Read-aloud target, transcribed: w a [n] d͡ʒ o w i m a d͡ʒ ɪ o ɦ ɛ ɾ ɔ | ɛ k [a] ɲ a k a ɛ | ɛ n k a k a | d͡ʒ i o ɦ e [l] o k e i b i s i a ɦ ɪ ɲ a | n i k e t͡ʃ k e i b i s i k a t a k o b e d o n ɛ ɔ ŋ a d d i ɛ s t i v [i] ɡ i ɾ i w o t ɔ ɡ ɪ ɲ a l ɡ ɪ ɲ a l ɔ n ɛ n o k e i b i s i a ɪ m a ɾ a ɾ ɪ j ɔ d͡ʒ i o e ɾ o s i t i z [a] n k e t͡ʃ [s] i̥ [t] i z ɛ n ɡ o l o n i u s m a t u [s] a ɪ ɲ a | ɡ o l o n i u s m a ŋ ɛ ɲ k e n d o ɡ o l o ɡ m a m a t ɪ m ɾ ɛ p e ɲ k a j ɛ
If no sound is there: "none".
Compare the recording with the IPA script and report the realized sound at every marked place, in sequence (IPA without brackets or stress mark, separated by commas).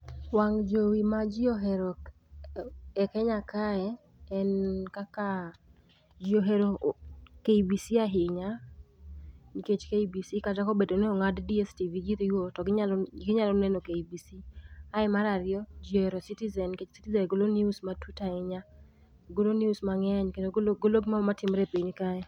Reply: ŋ, ɛ, ɾ, i, ɛ, s, t, t